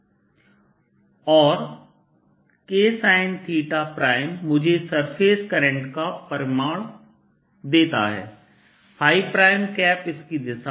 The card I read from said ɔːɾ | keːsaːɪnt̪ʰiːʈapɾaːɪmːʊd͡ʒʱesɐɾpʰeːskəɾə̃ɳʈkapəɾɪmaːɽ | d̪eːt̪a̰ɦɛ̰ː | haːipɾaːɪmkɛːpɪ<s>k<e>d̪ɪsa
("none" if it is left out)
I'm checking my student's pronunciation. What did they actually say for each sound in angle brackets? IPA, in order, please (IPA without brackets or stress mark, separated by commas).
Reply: s, i